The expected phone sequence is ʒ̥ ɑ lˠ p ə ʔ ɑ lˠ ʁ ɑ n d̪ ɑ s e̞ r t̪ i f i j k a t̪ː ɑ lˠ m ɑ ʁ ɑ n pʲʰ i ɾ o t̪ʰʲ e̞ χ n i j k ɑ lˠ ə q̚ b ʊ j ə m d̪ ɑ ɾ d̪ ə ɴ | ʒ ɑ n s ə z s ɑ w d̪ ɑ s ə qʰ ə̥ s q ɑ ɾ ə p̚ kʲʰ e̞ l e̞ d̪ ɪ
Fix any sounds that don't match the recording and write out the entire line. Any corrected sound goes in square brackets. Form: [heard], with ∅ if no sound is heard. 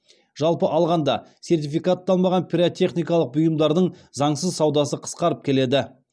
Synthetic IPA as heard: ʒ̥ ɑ lˠ p ə ʔ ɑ lˠ ʁ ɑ n d̪ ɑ s e̞ r t̪ i f i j k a t̪ː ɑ lˠ m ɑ ʁ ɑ n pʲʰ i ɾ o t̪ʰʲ e̞ χ n i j k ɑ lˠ ə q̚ b ʊ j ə m d̪ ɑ ɾ d̪ ə ɴ | [z] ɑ [ɴ] s ə z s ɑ w d̪ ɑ s ə qʰ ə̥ s q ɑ ɾ ə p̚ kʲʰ e̞ l e̞ d̪ ɪ